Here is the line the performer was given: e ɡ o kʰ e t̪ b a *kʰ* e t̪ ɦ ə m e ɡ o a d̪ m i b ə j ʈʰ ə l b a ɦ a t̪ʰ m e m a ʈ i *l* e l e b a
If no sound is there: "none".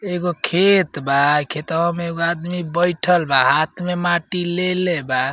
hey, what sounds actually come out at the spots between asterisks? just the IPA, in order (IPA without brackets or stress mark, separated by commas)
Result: kʰ, l